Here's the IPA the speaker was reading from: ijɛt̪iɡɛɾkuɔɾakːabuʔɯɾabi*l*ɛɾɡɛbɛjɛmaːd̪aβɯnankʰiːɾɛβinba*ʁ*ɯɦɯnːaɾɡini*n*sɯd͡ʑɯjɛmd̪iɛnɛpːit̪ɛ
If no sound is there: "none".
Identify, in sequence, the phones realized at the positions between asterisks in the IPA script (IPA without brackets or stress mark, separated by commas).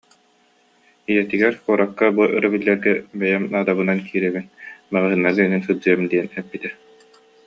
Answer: lː, ʁ, n